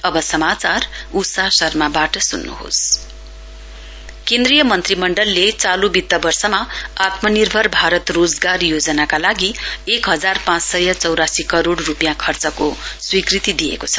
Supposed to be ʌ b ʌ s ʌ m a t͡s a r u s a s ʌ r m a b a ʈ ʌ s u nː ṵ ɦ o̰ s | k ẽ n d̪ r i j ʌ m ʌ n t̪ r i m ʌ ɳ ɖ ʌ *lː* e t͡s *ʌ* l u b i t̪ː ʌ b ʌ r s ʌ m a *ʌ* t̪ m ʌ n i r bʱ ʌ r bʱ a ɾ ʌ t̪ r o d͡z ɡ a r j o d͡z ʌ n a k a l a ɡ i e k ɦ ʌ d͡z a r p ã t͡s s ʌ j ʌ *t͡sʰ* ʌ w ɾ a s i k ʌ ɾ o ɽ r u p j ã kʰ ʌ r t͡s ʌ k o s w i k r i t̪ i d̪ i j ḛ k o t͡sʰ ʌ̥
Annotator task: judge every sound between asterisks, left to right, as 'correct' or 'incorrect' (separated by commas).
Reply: correct, incorrect, incorrect, incorrect